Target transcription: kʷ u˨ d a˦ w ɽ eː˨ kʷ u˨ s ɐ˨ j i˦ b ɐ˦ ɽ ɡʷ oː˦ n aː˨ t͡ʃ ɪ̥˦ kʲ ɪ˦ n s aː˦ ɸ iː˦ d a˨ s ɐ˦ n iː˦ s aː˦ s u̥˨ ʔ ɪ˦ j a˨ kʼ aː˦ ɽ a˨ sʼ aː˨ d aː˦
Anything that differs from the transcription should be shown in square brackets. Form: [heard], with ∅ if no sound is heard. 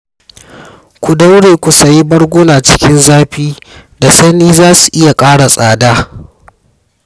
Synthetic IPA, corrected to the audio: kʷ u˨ d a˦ w ɽ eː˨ kʷ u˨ s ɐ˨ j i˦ b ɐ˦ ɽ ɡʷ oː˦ n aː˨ t͡ʃ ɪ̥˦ kʲ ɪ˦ n [z] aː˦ ɸ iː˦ d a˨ s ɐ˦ n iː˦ [z] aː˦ s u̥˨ ʔ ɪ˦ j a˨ kʼ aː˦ ɽ a˨ sʼ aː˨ d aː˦

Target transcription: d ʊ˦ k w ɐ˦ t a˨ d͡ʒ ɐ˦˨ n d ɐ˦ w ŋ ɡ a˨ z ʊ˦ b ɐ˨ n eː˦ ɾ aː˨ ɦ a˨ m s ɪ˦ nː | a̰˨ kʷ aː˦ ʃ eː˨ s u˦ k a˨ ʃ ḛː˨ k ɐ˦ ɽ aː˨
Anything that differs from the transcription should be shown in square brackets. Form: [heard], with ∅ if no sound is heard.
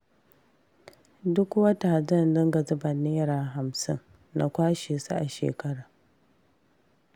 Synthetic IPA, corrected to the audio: d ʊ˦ k w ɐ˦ t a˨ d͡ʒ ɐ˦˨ n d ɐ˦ [∅] ŋ ɡ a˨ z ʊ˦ b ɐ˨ n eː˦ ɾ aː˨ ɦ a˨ m s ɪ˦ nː | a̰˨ kʷ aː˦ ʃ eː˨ s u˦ [ʔ] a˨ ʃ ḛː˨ k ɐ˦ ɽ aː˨

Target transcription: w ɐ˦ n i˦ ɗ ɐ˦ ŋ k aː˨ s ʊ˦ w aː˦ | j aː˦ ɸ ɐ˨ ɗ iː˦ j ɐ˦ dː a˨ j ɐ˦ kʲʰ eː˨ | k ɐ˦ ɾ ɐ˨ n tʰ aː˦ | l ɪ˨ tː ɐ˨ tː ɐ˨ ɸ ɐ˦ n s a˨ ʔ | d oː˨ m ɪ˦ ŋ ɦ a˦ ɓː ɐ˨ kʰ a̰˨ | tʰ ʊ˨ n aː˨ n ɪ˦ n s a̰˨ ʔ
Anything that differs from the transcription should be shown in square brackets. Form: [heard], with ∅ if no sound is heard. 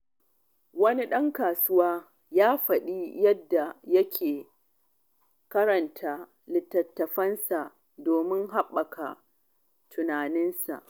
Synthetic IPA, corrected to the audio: w ɐ˦ n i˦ ɗ ɐ˦ ŋ k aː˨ s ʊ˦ w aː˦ | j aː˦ ɸ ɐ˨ ɗ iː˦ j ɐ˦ dː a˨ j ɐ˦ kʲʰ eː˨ | k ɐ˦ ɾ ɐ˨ n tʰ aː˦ | l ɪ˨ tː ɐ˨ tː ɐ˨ ɸ ɐ˦ n s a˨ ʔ | d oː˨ m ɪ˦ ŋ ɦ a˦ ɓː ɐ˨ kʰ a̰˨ | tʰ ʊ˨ n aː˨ n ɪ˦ n s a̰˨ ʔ

